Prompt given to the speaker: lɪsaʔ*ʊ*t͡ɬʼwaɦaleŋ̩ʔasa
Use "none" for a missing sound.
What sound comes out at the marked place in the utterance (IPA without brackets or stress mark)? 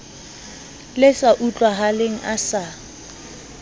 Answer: u